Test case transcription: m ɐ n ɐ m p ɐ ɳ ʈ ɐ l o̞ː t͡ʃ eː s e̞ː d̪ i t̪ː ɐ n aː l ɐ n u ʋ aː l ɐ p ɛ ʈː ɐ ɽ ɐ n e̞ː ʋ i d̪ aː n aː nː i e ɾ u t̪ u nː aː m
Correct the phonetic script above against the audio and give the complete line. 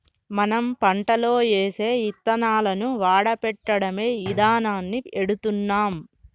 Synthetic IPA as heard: m ɐ n ɐ m p ɐ ɳ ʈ ɐ l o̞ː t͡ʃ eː s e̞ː i t̪ː ɐ n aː l ɐ n u ʋ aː ɽ ɐ p ɛ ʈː ɐ ɽ ɐ m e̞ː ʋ i d̪ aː n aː nː i e ɽ u t̪ u nː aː m